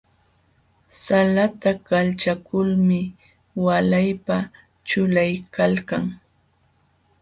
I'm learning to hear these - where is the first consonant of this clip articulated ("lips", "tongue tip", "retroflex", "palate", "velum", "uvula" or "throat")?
tongue tip